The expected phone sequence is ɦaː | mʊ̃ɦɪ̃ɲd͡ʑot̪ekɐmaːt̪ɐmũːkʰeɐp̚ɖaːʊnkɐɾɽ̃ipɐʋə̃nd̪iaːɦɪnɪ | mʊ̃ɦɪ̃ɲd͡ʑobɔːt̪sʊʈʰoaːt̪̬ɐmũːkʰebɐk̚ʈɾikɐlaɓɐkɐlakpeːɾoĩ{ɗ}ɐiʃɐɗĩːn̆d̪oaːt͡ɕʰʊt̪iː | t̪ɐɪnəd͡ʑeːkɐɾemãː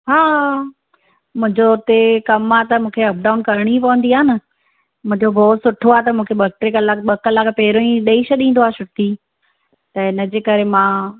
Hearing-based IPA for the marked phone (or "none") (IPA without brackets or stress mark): ɗ